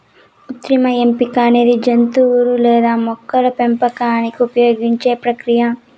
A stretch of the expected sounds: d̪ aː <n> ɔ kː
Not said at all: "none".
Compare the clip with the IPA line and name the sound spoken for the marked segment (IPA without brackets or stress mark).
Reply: m